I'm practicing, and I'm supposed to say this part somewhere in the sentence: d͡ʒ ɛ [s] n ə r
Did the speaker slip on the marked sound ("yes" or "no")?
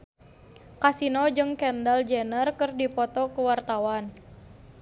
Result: yes